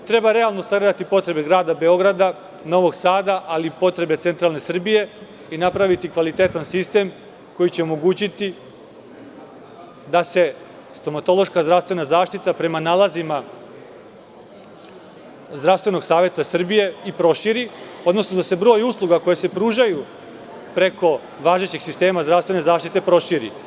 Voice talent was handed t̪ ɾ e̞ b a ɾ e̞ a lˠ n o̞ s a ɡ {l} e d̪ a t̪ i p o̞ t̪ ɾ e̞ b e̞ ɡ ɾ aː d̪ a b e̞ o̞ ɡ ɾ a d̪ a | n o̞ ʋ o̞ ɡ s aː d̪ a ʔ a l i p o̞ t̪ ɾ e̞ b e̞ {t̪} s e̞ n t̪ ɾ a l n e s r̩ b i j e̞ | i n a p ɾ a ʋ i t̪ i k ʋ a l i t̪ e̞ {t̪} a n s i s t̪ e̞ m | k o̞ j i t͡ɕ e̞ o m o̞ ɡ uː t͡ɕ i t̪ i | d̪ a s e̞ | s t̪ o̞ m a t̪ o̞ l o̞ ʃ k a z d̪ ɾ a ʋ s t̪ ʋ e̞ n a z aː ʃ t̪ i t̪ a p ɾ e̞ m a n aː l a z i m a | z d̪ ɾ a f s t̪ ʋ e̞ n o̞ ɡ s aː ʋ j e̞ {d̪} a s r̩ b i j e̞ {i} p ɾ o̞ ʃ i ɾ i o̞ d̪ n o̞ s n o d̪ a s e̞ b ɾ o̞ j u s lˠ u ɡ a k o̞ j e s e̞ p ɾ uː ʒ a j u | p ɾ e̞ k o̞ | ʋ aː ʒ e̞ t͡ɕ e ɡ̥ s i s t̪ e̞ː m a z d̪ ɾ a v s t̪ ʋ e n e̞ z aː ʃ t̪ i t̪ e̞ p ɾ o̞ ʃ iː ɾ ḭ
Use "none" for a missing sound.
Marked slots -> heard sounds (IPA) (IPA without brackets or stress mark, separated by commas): ɾ, t̪, t̪, t̪, i